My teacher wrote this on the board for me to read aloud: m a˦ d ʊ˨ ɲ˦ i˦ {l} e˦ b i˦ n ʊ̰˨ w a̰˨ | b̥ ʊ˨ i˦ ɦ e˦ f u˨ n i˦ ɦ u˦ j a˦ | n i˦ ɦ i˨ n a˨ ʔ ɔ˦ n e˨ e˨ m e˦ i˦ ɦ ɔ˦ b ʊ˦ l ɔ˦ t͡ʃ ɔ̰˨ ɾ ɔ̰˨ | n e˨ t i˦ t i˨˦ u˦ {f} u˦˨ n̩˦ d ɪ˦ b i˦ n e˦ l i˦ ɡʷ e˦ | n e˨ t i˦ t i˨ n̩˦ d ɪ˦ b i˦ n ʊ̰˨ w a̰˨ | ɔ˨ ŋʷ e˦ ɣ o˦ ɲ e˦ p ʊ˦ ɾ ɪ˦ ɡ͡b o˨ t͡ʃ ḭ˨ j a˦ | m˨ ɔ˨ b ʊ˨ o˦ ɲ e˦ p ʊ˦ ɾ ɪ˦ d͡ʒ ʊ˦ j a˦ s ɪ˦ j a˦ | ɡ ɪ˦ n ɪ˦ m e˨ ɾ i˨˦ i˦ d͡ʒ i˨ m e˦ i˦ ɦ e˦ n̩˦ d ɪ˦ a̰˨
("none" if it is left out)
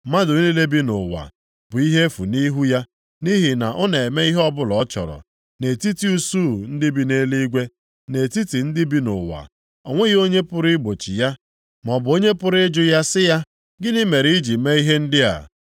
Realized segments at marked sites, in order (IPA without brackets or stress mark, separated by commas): l, s